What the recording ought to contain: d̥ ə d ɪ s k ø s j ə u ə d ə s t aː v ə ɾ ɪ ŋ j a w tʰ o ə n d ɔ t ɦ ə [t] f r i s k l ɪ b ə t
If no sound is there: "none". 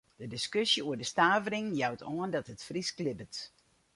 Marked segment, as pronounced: t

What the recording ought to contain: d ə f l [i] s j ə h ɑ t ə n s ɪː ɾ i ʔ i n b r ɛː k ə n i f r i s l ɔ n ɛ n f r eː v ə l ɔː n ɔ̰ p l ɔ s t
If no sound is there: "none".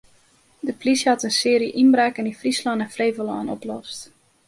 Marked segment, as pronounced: i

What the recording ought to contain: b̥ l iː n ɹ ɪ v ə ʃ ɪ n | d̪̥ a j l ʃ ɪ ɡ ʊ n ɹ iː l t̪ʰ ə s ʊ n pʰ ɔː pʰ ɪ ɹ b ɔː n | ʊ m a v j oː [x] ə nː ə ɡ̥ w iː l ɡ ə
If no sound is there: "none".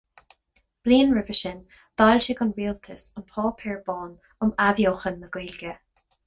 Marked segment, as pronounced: x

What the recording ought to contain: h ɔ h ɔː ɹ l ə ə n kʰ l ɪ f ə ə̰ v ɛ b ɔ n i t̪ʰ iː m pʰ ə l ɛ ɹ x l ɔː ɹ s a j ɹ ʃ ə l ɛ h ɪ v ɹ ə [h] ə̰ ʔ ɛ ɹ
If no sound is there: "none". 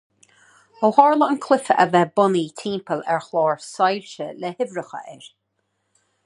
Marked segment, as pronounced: x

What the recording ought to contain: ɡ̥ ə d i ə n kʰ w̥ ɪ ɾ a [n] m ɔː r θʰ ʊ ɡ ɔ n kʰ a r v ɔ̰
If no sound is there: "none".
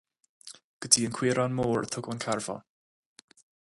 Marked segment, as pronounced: n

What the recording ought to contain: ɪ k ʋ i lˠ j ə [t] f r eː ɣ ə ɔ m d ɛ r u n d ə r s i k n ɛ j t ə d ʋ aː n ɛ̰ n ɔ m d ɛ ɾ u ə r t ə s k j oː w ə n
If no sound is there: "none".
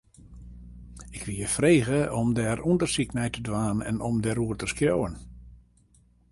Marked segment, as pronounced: none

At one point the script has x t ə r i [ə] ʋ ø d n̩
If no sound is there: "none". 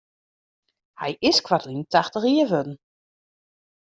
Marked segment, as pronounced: ə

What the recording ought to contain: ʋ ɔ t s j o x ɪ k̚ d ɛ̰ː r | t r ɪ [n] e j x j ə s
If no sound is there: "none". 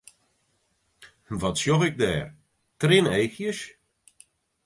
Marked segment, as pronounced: n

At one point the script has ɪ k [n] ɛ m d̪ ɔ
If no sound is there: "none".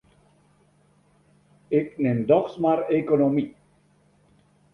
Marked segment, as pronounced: n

